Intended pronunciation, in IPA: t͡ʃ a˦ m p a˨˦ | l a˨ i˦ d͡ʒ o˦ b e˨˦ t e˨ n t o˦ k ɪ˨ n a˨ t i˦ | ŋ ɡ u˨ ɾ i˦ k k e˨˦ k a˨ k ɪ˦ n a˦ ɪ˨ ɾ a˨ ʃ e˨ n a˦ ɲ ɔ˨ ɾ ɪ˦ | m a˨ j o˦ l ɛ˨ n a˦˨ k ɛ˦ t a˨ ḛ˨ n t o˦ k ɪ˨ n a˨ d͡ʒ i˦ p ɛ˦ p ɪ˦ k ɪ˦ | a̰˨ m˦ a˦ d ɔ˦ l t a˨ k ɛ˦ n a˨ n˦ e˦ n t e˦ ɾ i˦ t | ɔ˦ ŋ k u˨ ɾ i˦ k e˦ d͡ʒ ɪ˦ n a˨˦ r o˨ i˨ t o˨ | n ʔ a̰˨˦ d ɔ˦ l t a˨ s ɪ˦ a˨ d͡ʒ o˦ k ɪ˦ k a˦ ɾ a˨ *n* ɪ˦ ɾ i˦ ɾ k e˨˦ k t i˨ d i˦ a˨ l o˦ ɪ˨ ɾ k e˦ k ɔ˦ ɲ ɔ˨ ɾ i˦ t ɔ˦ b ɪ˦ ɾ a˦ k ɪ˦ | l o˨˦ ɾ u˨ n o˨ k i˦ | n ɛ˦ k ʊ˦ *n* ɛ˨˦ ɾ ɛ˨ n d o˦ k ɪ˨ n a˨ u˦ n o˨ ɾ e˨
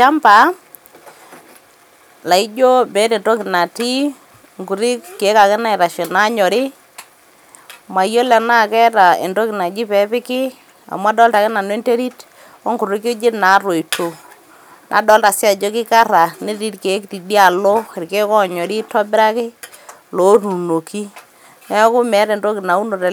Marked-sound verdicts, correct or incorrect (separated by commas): correct, incorrect